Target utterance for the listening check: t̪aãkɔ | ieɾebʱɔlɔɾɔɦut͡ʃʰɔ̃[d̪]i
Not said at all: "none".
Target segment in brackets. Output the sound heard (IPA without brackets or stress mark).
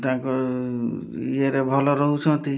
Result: t̪